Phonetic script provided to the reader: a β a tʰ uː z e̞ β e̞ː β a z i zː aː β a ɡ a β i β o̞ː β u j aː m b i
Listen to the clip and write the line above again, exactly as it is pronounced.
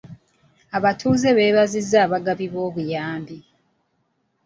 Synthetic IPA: a β a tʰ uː z e̞ β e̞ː β a z i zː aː β a ɡ a β i β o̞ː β u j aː m b i